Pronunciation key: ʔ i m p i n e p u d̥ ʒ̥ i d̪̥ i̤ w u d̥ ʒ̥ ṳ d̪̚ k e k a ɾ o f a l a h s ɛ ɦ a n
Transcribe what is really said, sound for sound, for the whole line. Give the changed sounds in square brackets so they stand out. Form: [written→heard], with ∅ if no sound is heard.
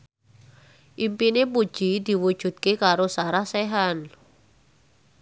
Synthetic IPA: ʔ i m p i n e p u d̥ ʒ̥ i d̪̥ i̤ w u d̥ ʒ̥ ṳ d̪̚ k e k a ɾ o [f→s] a [l→ɾ] a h s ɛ ɦ a n